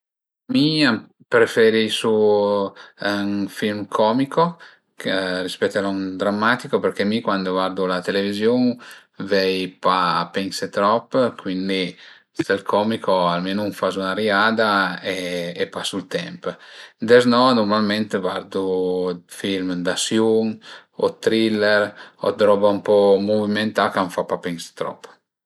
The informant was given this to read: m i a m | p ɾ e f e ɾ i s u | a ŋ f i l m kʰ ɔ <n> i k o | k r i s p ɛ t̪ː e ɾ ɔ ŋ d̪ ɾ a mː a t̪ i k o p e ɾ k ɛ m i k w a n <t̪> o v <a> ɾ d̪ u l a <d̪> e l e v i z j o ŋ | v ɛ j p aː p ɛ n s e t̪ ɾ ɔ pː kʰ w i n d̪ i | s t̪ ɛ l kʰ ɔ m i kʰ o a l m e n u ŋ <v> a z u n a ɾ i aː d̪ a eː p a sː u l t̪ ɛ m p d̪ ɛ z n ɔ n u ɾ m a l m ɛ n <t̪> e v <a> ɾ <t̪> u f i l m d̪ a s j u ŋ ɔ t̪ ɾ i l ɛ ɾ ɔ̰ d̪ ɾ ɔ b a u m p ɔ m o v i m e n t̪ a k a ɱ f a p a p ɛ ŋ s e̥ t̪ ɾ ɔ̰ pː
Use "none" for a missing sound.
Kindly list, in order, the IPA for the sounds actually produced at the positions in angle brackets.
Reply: m, d̪, a, t̪, f, t̪, a, d̪

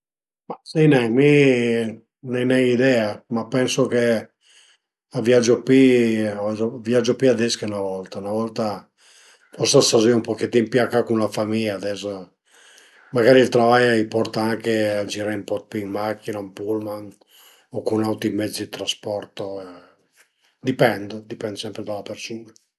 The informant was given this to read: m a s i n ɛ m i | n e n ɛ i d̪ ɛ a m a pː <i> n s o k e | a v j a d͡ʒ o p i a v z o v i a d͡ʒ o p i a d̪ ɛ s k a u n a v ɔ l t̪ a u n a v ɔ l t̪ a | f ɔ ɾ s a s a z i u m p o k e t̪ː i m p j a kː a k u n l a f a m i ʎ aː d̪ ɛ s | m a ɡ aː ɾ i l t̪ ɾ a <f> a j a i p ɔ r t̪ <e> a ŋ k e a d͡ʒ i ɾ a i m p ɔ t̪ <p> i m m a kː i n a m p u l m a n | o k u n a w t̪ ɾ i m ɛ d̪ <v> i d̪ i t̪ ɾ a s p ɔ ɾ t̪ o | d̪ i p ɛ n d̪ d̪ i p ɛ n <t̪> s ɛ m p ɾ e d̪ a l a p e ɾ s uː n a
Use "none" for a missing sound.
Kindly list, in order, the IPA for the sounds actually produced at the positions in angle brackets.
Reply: ɛ, v, a, p, z, d̪

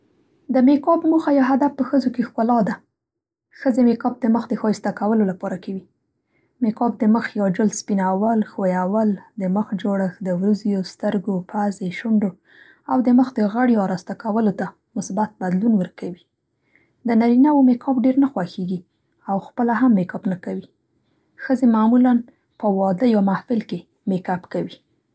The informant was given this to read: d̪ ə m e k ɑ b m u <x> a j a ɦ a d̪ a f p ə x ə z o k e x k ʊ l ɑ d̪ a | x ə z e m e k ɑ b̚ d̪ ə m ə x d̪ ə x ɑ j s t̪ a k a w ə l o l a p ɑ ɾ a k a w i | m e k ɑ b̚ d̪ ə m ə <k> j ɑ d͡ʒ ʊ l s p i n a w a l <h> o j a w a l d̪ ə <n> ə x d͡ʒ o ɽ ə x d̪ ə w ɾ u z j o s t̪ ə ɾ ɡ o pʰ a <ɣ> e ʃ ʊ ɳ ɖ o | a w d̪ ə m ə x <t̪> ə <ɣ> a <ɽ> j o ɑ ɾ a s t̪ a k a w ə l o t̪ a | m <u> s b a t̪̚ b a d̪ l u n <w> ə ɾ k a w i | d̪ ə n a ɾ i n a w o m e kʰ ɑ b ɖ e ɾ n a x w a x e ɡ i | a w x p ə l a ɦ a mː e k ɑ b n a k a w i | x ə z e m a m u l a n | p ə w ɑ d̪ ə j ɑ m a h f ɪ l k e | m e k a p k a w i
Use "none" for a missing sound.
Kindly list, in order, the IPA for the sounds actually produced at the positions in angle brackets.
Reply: x, x, x, m, z, d̪, ɣ, ɽ, ʊ, w

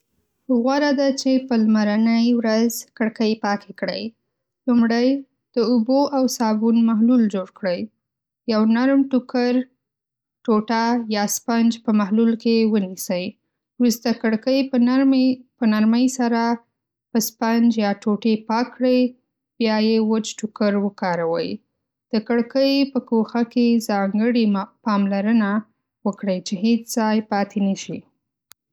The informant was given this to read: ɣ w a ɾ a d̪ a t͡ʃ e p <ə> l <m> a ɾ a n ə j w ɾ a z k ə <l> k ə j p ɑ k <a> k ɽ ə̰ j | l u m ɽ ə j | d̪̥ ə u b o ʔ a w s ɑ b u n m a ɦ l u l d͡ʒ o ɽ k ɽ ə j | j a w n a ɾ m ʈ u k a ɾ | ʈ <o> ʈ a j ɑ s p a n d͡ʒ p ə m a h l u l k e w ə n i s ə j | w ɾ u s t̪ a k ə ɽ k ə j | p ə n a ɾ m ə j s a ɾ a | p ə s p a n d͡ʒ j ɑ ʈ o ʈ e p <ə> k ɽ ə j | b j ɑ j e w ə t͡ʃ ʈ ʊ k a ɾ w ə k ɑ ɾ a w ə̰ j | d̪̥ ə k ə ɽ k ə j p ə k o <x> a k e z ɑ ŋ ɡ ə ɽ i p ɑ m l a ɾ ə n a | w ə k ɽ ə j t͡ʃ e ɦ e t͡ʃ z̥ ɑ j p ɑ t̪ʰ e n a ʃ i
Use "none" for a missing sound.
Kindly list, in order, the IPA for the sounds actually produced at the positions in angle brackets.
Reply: ə, m, ɽ, e, o, ɑ, x

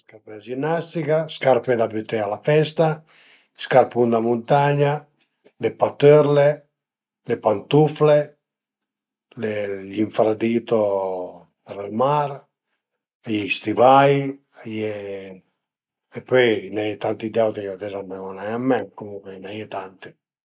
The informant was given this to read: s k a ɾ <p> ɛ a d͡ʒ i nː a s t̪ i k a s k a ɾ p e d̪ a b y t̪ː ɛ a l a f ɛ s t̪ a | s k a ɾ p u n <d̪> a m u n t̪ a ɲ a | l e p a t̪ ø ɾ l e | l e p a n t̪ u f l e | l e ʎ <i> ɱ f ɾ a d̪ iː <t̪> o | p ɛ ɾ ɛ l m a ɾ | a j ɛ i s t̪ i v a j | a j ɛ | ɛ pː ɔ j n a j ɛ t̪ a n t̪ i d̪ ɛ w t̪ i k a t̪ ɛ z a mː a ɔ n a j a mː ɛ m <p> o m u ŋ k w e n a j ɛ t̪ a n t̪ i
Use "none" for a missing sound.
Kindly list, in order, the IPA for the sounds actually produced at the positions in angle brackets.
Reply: p, d̪, i, t̪, k

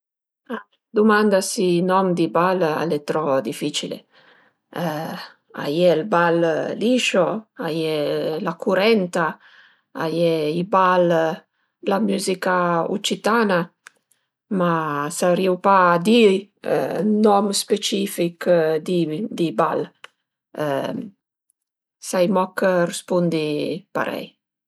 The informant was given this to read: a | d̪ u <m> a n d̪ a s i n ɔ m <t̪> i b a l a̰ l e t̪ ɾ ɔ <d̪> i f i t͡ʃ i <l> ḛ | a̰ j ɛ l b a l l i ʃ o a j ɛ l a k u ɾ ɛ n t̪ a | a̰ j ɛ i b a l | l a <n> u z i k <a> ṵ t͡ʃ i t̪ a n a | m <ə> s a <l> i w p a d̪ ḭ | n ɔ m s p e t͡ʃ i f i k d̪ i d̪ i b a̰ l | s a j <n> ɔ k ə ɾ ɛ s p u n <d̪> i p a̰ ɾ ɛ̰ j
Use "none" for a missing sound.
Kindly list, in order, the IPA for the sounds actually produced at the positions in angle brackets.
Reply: m, d̪, d̪, l, m, a, a, ɾ, m, d̪

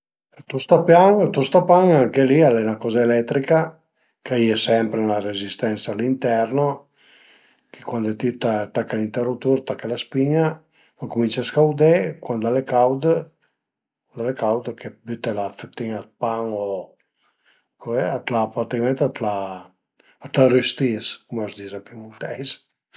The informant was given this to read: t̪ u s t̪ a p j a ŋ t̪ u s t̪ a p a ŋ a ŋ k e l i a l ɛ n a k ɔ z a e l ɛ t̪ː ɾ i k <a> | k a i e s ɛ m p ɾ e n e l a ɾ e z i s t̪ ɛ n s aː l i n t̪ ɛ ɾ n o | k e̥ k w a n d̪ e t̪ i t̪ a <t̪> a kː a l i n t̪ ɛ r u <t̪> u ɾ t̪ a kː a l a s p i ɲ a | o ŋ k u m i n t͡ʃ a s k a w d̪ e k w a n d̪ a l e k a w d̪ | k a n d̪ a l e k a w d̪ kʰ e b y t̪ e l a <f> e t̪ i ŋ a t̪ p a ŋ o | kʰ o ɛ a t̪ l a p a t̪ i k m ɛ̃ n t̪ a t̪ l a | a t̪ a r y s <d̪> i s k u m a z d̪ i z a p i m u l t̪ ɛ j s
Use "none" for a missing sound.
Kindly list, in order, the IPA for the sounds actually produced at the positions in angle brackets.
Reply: a, t̪, t̪, f, t̪

